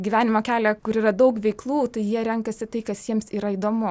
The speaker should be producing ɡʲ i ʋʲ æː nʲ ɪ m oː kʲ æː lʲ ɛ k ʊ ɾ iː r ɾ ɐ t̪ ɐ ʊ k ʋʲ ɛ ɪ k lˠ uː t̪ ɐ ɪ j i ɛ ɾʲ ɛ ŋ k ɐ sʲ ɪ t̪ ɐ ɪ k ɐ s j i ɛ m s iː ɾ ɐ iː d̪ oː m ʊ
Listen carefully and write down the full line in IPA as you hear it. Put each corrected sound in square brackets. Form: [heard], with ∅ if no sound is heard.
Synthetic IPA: ɡʲ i ʋʲ æː nʲ ɪ m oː kʲ æː lʲ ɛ k ʊ ɾ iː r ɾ ɐ [d̪] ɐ ʊ k ʋʲ ɛ ɪ k lˠ uː t̪ ɐ ɪ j i ɛ ɾʲ ɛ ŋ k ɐ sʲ ɪ t̪ ɐ ɪ k ɐ s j i ɛ m s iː ɾ ɐ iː d̪ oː m ʊ

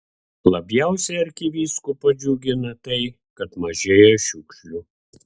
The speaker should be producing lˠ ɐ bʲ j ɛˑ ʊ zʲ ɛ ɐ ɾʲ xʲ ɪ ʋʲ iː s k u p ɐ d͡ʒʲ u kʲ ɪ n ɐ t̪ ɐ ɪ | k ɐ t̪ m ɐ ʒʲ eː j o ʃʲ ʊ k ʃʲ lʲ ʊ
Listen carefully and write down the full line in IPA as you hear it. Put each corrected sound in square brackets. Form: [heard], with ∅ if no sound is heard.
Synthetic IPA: lˠ ɐ bʲ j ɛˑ ʊ [sʲ] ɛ ɐ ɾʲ [kʲ] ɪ ʋʲ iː s k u p ɐ d͡ʒʲ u [ɡʲ] ɪ n ɐ t̪ ɐ ɪ | k ɐ t̪ m ɐ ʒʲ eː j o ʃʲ ʊ k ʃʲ lʲ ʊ

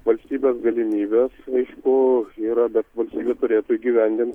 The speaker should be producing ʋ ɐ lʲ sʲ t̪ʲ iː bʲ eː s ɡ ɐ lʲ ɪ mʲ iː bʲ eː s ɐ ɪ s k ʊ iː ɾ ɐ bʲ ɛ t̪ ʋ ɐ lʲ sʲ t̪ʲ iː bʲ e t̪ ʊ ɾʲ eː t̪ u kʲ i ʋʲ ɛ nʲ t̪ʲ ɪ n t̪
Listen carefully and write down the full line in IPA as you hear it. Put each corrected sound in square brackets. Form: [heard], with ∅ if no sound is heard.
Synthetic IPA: ʋ ɐ lʲ sʲ t̪ʲ iː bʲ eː s ɡ ɐ lʲ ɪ mʲ iː bʲ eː s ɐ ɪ [ʃ] k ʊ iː ɾ ɐ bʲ ɛ t̪ ʋ ɐ lʲ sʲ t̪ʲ iː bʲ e t̪ ʊ ɾʲ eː t̪ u [ɡʲ] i ʋʲ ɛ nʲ [d̪ʲ] ɪ n t̪

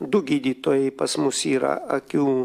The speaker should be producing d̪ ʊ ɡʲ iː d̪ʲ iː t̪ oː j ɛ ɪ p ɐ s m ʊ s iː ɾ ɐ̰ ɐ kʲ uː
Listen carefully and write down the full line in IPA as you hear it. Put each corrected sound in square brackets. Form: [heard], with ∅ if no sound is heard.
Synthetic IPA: d̪ ʊ ɡʲ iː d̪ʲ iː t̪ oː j ɛ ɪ p ɐ s m ʊ s iː ɾ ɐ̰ ɐ kʲ uː

